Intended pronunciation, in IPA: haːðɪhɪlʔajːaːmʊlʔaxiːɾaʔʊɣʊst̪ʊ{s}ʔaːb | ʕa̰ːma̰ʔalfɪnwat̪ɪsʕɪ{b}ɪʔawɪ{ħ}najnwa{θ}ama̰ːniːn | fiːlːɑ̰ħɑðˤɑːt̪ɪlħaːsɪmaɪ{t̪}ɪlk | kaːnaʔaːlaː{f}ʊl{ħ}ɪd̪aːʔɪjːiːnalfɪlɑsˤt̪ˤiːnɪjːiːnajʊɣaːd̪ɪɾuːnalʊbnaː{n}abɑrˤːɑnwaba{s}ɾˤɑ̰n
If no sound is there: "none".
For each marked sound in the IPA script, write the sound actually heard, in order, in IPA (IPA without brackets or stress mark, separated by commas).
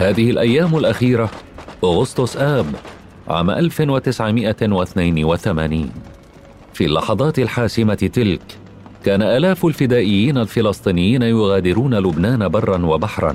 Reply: s, m, θ, θ, t̪, f, f, n, ħ